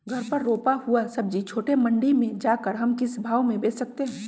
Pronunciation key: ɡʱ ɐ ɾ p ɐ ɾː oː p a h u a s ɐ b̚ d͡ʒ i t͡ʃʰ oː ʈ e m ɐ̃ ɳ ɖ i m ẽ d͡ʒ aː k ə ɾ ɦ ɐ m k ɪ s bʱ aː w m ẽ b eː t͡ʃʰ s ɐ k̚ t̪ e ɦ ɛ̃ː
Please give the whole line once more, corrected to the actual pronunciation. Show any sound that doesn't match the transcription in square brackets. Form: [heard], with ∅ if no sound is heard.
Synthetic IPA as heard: ɡʱ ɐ ɾ p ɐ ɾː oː p a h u a s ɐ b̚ d͡ʒ i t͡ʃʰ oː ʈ e m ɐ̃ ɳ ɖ i m ẽ d͡ʒ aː k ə ɾ ɦ ɐ m k ɪ s bʱ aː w m ẽ b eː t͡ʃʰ s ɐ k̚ t̪ e ɦ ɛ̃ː